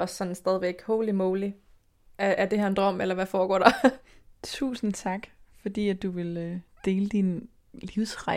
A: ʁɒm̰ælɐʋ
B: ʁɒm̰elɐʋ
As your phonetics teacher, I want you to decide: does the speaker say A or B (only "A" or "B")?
B